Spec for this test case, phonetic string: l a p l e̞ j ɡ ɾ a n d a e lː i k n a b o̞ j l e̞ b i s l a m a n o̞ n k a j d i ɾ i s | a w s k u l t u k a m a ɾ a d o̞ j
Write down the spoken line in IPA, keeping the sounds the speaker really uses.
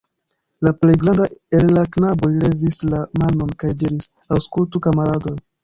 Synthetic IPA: l a p l e̞ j ɡ ɾ a n d a e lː a k n a b o̞ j l e̞ v i s l a m a n o̞ n k a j d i ɾ i s | a w s k u l t u k a m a ɾ a d o̞ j

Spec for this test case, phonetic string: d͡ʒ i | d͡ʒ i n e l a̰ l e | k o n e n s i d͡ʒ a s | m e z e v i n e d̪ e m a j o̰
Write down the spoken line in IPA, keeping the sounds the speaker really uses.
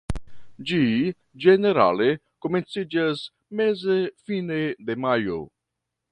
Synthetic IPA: d͡ʒ i | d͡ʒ e n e ɾ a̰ l e | k o m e n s i d͡ʒ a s | m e z e f i n e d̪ e m a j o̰

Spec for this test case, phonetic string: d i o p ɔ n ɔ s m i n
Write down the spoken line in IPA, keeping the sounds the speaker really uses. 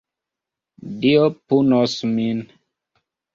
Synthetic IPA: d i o p u n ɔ s m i n

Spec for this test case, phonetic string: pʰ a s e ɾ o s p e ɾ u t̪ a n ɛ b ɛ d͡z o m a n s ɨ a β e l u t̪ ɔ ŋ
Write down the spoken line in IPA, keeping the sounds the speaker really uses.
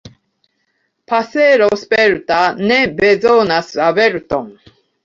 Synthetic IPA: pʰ a s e ɾ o s p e ɾ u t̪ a n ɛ b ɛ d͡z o n a s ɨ a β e ɾ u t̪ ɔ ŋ

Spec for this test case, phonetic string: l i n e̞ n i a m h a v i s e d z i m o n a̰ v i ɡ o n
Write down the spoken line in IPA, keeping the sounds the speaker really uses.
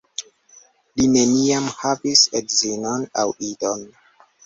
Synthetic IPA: l i n e̞ n i a m h a v i s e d z i n o n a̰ w i d o n

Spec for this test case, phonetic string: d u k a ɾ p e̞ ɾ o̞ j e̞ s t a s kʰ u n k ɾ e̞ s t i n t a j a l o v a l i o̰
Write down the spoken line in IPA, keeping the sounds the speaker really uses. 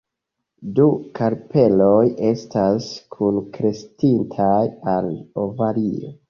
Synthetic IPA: d u k a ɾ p e̞ l o̞ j e̞ s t a s kʰ u n k ɾ e̞ s t i n tʰ a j a l o v a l i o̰

